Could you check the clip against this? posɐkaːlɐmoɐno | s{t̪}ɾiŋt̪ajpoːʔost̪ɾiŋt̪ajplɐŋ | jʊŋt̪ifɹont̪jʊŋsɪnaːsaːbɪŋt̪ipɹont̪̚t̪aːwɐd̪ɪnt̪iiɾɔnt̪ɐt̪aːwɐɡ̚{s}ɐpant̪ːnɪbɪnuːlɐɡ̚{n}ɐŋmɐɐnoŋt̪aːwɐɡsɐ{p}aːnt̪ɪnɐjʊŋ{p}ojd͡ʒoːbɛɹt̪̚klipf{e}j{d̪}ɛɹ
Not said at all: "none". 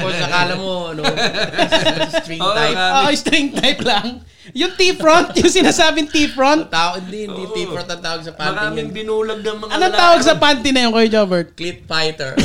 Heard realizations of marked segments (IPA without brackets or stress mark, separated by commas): t̪, s, n, p, k, a, t̪